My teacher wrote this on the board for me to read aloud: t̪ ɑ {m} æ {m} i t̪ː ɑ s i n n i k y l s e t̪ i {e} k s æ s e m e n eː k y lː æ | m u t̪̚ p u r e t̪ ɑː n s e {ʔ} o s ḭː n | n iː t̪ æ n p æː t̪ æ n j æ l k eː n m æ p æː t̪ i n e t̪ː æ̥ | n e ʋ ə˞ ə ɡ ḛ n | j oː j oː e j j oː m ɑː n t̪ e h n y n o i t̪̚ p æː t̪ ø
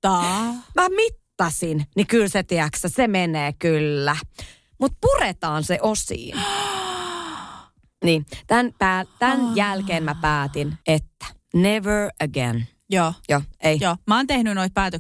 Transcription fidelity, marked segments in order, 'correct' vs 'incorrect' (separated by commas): correct, correct, incorrect, correct